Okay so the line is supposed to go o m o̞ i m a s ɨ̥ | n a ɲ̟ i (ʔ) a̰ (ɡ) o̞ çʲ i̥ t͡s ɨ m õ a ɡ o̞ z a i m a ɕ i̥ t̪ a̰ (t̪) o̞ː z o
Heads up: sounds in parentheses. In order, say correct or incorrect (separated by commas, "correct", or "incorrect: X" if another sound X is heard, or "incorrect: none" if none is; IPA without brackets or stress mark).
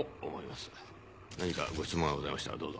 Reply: incorrect: k, correct, incorrect: d̪